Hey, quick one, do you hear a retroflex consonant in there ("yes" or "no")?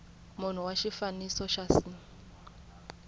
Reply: no